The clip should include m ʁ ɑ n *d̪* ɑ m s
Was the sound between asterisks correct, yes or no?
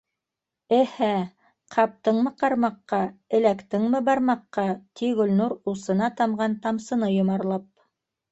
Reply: no